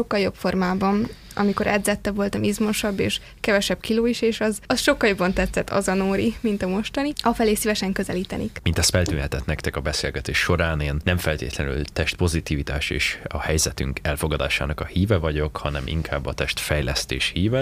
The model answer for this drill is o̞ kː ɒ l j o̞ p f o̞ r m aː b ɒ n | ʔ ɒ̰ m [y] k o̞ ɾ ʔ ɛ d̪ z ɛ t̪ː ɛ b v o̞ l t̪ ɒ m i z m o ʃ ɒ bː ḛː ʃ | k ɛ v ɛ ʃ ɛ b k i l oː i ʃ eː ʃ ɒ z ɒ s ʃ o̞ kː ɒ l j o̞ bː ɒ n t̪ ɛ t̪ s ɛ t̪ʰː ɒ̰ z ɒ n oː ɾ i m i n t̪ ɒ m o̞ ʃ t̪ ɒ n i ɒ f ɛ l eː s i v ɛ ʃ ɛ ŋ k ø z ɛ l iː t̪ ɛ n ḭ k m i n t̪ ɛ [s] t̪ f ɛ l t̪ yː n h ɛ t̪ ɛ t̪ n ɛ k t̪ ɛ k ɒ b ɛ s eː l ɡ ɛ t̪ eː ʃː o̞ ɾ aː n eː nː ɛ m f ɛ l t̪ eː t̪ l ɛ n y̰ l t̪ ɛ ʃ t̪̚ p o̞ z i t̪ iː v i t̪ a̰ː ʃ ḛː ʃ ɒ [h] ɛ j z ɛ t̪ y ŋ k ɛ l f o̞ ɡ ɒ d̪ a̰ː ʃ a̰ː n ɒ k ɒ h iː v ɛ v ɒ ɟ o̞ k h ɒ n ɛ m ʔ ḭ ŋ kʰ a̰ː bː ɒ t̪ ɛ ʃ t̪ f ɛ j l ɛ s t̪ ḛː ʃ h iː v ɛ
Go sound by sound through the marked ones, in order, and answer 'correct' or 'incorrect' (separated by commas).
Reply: incorrect, correct, correct